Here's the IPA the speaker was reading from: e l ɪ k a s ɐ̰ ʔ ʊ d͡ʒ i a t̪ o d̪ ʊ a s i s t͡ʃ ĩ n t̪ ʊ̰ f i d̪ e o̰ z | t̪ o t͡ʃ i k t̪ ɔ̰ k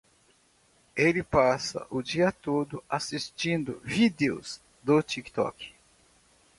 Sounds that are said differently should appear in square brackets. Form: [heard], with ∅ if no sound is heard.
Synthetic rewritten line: e l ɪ [p] a s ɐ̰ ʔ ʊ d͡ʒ i [ɐ] t̪ o d̪ ʊ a s i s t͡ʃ ĩ n [d̪] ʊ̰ [v] i d̪ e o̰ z | [d̪] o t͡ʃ i k t̪ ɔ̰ k

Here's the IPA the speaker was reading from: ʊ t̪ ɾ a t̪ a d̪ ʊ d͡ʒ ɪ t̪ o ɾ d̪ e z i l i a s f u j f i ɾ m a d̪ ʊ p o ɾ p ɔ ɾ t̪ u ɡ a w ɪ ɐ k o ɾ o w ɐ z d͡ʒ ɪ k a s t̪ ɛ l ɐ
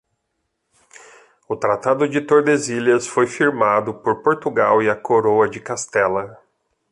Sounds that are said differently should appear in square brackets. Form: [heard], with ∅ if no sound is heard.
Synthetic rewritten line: ʊ t̪ ɾ a t̪ a d̪ ʊ d͡ʒ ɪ t̪ o ɾ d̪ e z i l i [ɐ] s f [o] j f i ɾ m a d̪ ʊ p o ɾ p [o] ɾ t̪ u ɡ a w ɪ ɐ k o ɾ o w ɐ [∅] d͡ʒ ɪ k a s t̪ ɛ l ɐ

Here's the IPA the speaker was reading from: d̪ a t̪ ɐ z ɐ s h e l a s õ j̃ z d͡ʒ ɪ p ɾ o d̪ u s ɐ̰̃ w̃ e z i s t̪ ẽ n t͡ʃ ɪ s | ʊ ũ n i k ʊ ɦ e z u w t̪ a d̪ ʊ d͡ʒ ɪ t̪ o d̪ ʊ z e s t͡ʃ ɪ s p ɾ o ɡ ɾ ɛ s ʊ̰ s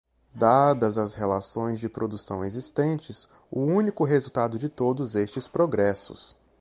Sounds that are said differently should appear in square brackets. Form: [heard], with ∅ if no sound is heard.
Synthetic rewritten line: d̪ a [d̪] ɐ z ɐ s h e l a s õ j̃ z d͡ʒ ɪ p ɾ o d̪ u s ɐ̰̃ w̃ e z i s t̪ ẽ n t͡ʃ ɪ s | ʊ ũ n i k ʊ ɦ e z u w t̪ a d̪ ʊ d͡ʒ ɪ t̪ o d̪ ʊ z e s t͡ʃ ɪ s p ɾ o ɡ ɾ ɛ s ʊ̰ s

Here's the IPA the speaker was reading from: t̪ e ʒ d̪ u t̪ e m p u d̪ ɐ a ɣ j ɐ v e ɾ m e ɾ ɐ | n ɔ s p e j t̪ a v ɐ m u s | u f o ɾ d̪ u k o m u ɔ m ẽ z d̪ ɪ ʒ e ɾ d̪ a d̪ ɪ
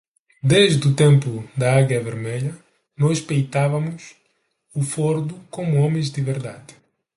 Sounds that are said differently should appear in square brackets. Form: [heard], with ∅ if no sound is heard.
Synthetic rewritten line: [d̪] e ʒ d̪ u t̪ [ẽ] m p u d̪ ɐ a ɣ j ɐ v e ɾ m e [ʎ] ɐ | n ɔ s p e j t̪ a v ɐ m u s | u f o ɾ d̪ u k o m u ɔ m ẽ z d̪ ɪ [v] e ɾ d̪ a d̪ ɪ

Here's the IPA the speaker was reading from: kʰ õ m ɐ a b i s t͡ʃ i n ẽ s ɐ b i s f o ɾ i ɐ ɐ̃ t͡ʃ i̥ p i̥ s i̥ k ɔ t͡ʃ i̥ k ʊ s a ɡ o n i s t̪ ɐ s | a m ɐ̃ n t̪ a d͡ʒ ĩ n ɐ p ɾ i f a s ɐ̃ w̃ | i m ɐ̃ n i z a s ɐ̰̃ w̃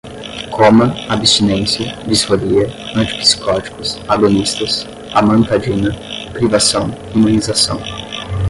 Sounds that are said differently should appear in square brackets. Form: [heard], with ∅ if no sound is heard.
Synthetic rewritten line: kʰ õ m ɐ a b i s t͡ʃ i n ẽ s ɐ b i s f o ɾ i ɐ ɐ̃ t͡ʃ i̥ p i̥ s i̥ k ɔ t͡ʃ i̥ k ʊ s a ɡ o n i s t̪ ɐ s | a m ɐ̃ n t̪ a d͡ʒ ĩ n ɐ p ɾ i [v] a s ɐ̃ w̃ | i m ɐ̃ n i z a s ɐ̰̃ w̃

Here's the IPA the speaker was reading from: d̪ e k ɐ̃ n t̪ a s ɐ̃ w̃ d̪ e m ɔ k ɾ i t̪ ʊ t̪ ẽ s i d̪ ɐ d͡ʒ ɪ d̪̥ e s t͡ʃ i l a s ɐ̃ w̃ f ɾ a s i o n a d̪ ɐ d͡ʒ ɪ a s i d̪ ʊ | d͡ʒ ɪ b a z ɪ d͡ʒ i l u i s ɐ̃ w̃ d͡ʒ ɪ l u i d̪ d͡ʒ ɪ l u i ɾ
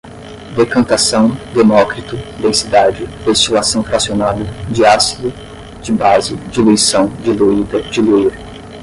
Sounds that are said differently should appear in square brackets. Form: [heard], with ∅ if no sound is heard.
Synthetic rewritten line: d̪ e k ɐ̃ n t̪ a s ɐ̃ w̃ d̪ e m ɔ k ɾ i t̪ ʊ [d̪] ẽ s i d̪ [a] d͡ʒ ɪ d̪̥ e s t͡ʃ i l a s ɐ̃ w̃ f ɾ a s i o n a d̪ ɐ d͡ʒ ɪ a s i d̪ ʊ | d͡ʒ ɪ b a z ɪ d͡ʒ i l u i s ɐ̃ w̃ d͡ʒ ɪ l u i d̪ d͡ʒ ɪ l u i ɾ

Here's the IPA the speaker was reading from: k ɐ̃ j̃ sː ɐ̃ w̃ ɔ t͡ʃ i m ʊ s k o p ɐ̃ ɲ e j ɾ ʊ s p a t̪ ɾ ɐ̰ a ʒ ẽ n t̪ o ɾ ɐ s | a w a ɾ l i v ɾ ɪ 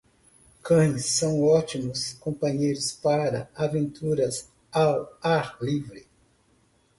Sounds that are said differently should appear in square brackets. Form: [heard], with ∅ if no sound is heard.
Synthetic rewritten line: k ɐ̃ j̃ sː ɐ̃ w̃ ɔ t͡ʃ i m ʊ s k [õ] p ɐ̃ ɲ e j ɾ ʊ s p a [∅] ɾ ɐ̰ a [v] ẽ n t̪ [u] ɾ ɐ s | a w a ɾ l i v ɾ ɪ

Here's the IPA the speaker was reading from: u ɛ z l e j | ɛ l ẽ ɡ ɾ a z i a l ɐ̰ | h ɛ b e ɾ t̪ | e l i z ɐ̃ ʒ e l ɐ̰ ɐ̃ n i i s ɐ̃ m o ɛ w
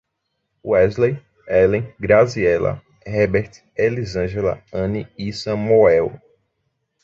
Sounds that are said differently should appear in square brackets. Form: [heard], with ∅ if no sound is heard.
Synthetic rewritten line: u ɛ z l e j | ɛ l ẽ ɡ ɾ a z i [ɛ] l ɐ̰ | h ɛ b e ɾ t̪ | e l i z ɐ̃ ʒ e l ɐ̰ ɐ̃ n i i s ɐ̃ m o ɛ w

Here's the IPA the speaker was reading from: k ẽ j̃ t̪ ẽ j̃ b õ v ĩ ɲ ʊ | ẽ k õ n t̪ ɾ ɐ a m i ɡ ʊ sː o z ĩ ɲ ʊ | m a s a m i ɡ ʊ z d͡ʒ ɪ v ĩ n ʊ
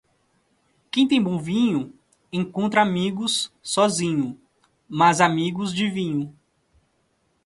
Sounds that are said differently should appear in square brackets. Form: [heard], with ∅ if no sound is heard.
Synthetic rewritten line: k ẽ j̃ t̪ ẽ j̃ b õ v ĩ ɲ ʊ | ẽ k õ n t̪ ɾ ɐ a m i ɡ ʊ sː [ɔ] z ĩ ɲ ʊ | m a [z] a m i ɡ ʊ z d͡ʒ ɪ v ĩ [ɲ] ʊ

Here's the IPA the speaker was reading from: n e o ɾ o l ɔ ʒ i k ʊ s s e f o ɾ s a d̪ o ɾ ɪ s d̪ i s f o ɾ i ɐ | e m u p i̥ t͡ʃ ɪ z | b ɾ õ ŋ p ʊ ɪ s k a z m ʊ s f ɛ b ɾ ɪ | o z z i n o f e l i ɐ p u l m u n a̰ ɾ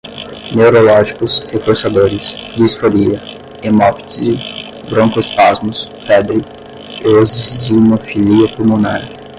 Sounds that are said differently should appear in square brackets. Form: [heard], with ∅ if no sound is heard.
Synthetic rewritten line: n e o ɾ o l ɔ ʒ i k ʊ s [h] e f o ɾ s a d̪ o ɾ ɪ s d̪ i s f o ɾ i ɐ | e m [ɔ] p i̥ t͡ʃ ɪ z | b ɾ õ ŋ [k] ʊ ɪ s [p] a z m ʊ s f ɛ b ɾ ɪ | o z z i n o f [i] l i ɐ p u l m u n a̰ ɾ

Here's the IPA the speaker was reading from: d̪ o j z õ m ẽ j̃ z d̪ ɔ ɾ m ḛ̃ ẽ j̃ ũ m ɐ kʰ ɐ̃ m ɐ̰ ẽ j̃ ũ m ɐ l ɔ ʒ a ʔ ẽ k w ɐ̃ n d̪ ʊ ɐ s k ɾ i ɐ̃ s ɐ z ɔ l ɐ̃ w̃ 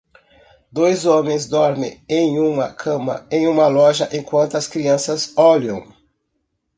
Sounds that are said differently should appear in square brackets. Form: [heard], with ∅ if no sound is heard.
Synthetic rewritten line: d̪ o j z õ m ẽ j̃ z d̪ ɔ ɾ m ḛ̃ ẽ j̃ ũ m ɐ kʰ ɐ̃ m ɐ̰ ẽ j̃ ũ m ɐ l ɔ ʒ [ɐ] ʔ ẽ k w ɐ̃ n [t̪] ʊ ɐ s k ɾ i ɐ̃ s ɐ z ɔ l ɐ̃ w̃

